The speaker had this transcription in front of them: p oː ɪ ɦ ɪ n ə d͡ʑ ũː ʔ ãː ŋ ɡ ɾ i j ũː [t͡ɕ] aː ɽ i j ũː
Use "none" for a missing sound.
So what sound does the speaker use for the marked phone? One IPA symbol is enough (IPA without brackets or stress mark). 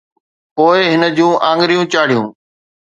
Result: t͡ɕ